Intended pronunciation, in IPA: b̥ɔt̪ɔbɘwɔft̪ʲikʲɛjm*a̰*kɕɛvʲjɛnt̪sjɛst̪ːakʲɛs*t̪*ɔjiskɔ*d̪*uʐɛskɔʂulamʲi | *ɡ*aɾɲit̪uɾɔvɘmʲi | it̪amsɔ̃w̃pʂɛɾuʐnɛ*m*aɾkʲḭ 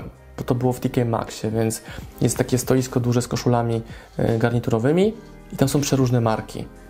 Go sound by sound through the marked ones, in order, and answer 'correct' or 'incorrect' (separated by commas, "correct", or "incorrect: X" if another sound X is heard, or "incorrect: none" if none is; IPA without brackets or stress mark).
correct, correct, correct, correct, correct